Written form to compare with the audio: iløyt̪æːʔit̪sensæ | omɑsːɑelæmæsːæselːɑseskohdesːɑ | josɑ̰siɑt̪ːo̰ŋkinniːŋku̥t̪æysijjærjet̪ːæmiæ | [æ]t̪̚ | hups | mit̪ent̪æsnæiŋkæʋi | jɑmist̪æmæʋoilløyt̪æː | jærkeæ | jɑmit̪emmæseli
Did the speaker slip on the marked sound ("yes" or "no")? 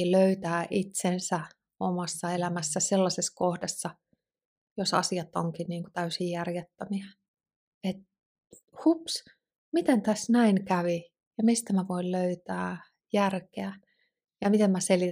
yes